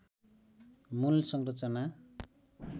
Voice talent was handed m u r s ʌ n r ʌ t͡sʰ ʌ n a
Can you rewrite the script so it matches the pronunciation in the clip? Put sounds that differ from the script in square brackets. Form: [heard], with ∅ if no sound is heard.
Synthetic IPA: m u [l] s ʌ [ŋ] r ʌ [t͡s] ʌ n a